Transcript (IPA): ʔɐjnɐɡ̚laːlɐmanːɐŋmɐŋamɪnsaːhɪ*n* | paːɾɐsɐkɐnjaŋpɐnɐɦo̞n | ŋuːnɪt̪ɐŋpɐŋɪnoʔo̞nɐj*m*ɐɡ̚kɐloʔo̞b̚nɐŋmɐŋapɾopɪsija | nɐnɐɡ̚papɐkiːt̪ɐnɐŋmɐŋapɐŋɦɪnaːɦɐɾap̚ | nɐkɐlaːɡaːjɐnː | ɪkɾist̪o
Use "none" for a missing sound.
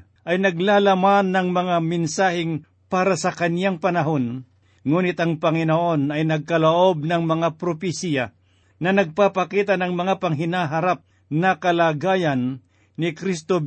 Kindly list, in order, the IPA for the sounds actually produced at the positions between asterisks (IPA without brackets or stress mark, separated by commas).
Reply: ŋ, n